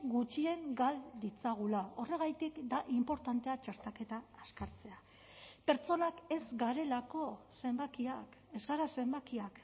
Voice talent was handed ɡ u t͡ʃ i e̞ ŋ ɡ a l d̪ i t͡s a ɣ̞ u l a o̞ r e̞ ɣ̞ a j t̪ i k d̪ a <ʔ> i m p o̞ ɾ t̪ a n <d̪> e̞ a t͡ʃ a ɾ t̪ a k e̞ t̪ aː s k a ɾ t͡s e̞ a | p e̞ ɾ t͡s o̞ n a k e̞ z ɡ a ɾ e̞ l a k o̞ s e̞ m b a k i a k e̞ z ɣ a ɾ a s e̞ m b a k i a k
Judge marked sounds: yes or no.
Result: yes, no

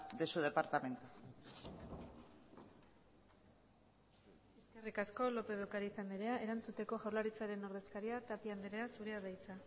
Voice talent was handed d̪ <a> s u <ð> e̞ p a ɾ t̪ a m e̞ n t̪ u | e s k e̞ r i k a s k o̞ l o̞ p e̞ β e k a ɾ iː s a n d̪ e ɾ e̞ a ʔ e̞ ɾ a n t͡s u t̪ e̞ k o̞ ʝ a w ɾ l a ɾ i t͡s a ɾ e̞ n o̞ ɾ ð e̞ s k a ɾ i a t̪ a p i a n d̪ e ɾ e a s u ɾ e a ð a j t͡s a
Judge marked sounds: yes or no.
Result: no, yes

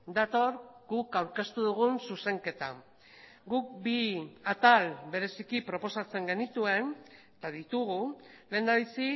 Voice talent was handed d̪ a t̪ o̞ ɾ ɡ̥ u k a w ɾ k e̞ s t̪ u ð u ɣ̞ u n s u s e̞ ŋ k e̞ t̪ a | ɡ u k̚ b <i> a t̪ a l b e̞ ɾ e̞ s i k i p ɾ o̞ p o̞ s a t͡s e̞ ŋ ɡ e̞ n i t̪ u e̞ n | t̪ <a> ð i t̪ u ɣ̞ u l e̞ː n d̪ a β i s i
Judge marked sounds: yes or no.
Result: yes, yes

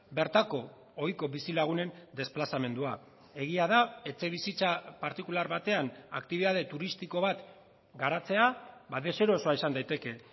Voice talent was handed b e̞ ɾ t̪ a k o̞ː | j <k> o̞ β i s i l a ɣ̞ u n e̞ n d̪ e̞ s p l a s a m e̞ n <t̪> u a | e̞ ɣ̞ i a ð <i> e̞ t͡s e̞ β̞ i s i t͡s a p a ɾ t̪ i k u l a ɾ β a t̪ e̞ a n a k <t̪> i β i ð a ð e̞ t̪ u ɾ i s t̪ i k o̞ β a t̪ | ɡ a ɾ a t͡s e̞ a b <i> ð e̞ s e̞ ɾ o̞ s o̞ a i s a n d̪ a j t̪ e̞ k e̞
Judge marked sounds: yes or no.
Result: yes, no, no, yes, no

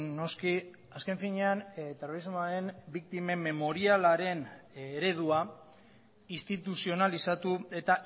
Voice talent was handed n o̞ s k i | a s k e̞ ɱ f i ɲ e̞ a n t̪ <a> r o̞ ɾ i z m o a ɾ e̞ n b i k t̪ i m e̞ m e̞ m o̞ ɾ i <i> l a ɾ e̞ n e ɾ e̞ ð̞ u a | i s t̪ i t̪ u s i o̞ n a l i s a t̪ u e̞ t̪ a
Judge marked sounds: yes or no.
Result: no, no

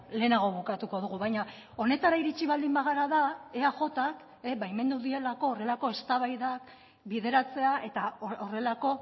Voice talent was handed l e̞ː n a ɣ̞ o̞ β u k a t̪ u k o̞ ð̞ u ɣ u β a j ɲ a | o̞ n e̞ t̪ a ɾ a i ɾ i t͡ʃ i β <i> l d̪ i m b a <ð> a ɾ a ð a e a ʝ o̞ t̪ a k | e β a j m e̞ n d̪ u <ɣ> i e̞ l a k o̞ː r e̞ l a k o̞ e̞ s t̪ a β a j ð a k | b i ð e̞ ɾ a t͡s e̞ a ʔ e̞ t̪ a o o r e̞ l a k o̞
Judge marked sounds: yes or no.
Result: no, no, no

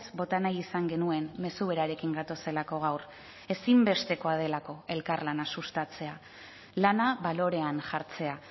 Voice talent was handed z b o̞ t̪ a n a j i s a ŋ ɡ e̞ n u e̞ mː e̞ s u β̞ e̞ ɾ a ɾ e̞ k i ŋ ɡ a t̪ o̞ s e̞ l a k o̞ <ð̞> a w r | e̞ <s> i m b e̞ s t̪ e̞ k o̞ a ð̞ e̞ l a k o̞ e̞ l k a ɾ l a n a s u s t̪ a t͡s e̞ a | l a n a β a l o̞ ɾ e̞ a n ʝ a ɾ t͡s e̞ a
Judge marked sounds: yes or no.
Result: no, yes

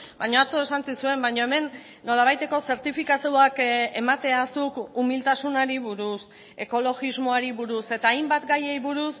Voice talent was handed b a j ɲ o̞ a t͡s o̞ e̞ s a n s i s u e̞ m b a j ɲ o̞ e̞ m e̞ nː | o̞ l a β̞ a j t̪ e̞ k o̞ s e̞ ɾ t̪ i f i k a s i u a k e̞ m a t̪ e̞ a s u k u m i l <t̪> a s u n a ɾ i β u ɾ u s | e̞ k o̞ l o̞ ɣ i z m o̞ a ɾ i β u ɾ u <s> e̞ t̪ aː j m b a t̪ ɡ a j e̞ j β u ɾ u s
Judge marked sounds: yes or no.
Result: yes, yes

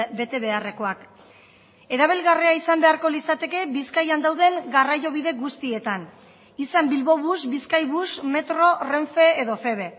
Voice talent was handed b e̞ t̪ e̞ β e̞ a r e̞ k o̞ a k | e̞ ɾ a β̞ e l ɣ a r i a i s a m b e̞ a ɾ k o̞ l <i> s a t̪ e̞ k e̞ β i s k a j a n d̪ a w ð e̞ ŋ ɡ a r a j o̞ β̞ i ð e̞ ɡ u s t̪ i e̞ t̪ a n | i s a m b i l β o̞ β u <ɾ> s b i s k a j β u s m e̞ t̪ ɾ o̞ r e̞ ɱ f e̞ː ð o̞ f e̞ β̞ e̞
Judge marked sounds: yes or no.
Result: yes, no

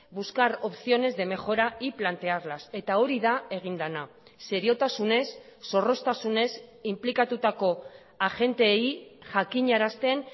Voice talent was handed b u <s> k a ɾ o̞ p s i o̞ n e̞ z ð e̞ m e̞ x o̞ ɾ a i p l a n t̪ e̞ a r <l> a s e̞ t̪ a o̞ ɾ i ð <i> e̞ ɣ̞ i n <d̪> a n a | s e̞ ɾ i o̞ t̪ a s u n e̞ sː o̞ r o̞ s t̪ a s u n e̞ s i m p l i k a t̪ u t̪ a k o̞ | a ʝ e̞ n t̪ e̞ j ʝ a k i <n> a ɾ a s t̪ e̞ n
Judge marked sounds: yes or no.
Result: yes, yes, no, yes, no

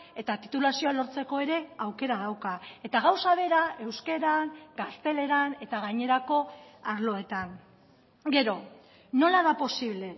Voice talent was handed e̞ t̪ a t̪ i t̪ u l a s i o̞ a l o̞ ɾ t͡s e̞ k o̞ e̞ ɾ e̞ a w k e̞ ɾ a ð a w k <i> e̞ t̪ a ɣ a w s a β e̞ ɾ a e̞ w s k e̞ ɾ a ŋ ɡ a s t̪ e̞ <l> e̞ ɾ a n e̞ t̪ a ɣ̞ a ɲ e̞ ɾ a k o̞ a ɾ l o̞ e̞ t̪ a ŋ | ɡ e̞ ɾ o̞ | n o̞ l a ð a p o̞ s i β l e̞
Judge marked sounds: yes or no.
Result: no, yes

